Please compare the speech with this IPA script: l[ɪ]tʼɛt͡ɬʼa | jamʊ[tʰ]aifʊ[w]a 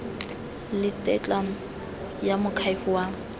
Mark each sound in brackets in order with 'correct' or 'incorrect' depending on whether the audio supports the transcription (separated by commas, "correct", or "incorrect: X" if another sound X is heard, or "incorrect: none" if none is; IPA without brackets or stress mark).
correct, incorrect: kʰ, correct